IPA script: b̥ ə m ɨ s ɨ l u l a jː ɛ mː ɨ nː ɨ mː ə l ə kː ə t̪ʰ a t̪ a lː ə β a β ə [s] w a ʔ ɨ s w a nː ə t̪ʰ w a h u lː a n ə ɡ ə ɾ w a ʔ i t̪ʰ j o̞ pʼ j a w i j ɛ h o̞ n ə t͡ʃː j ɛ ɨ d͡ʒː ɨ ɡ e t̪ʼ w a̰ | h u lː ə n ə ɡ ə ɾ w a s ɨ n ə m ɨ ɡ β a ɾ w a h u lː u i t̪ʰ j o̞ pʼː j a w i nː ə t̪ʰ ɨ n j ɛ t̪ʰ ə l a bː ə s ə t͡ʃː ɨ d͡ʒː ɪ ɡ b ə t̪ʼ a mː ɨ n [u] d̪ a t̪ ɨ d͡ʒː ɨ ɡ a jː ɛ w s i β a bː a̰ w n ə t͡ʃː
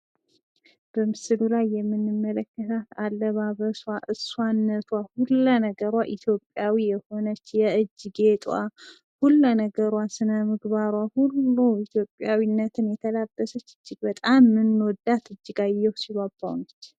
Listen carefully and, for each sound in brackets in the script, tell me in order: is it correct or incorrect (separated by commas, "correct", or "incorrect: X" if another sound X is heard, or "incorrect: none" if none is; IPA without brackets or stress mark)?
correct, incorrect: o